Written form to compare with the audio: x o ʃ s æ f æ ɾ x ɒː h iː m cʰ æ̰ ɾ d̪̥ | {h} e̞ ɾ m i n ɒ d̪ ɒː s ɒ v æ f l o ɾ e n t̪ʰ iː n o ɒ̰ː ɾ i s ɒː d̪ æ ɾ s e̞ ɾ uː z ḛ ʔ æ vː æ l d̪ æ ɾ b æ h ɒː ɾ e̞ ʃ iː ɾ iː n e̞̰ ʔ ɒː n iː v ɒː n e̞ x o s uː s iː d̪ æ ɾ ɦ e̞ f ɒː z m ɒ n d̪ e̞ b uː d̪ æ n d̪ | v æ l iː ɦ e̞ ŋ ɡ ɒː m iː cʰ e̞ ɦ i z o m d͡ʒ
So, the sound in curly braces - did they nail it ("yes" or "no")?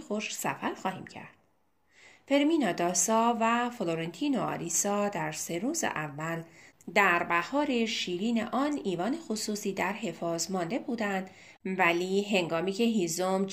no